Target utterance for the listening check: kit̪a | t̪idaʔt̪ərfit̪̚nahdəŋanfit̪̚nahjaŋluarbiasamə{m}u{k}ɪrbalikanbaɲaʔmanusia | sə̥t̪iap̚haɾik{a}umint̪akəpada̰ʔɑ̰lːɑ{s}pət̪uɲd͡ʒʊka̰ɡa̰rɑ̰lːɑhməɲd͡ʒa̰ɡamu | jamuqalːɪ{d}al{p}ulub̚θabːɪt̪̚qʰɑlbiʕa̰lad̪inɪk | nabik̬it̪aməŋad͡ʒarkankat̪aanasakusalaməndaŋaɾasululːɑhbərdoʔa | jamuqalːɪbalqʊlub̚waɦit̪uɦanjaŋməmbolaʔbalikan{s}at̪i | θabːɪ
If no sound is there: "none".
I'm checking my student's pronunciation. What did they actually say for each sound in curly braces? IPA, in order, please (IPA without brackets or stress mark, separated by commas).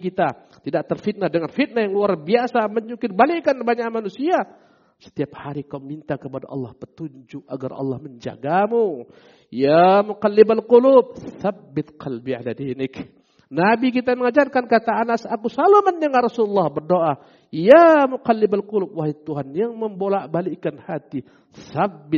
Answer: ɲ, k, a, h, b, q, h